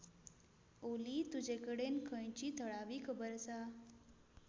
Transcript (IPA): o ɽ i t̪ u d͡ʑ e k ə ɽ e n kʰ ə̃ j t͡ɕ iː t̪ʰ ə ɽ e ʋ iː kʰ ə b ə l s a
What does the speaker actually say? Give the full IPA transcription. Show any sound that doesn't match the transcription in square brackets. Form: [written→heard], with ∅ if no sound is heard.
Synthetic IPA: o [ɽ→l] i t̪ u d͡ʑ e k ə ɽ e n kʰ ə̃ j t͡ɕ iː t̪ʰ ə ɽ [e→a] ʋ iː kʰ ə b ə [l→ɾ] s a